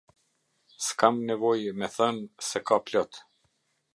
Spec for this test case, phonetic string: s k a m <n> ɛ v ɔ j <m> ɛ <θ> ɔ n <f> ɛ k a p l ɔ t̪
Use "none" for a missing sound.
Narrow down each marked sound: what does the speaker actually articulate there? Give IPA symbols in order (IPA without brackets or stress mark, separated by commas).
n, m, θ, s